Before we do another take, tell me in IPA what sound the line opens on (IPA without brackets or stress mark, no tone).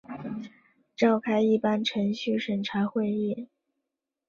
ʈ͡ʂ